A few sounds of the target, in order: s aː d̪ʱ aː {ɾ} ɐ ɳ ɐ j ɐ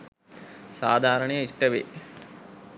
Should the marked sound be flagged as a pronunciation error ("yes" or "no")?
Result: no